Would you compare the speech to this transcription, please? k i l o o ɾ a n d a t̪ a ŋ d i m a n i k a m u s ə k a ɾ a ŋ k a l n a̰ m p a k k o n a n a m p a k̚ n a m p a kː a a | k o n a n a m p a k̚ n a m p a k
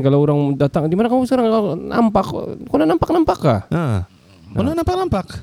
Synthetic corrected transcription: k a l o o ɾ a ŋ d a t̪ a ŋ d i m a n a k a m u s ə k a ɾ a ŋ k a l n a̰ m p a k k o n a n a m p a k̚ n a m p a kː a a | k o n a n a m p a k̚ n a m p a k